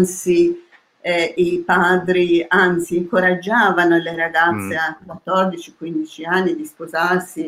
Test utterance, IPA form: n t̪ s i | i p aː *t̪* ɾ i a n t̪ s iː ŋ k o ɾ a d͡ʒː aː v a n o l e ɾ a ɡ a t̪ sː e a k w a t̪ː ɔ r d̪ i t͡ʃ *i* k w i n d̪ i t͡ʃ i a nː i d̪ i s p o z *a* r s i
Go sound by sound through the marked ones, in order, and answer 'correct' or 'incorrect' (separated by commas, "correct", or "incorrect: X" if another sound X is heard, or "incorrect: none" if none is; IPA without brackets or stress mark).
incorrect: d̪, correct, correct